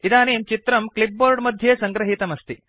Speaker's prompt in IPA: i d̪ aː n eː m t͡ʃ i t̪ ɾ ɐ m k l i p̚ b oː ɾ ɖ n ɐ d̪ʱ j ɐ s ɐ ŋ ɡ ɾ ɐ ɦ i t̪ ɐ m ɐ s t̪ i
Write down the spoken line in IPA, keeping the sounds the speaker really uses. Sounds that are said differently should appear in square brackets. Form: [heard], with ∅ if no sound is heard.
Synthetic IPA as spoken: i d̪ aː n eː m t͡ʃ i t̪ ɾ ɐ m k l i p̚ b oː ɾ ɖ [m] ɐ d̪ʱ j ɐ s ɐ ŋ ɡ ɾ ɐ ɦ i t̪ ɐ m ɐ s t̪ i

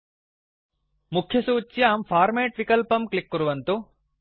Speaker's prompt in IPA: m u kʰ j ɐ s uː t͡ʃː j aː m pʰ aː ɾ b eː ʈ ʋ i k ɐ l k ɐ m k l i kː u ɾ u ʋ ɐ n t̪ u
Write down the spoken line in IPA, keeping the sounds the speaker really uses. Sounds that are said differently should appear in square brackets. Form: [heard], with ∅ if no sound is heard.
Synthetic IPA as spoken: m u kʰ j ɐ s uː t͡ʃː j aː m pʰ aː ɾ [m] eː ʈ ʋ i k ɐ l [p] ɐ m k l i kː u ɾ u ʋ ɐ n t̪ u

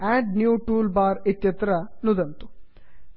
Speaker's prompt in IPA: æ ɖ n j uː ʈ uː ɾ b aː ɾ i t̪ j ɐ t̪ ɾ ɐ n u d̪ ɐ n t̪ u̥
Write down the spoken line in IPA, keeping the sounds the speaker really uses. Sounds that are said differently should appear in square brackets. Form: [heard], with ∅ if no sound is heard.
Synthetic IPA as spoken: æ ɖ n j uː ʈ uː [l] b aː ɾ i t̪ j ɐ t̪ ɾ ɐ n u d̪ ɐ n t̪ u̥

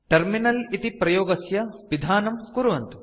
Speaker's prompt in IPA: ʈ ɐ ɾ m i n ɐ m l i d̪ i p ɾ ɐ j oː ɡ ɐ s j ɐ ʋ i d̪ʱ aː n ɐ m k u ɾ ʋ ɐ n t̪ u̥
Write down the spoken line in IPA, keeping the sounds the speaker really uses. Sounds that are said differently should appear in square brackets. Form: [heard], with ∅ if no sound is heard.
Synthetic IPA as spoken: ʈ ɐ ɾ m i n ɐ [∅] l i [t̪] i p ɾ ɐ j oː ɡ ɐ s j ɐ ʋ i d̪ʱ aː n ɐ m k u ɾ ʋ ɐ n t̪ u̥

